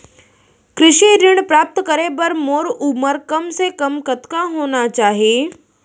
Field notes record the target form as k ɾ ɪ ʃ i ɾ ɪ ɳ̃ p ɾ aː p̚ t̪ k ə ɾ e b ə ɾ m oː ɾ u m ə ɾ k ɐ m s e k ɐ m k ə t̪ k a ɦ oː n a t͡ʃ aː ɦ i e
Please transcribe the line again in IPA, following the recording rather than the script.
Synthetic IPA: k ɾ ɪ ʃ i ɾ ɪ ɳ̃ p ɾ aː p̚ t̪ k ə ɾ e b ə ɾ m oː ɾ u m ə ɾ k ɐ m s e k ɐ m k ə t̪ k a ɦ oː n a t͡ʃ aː ɦ i e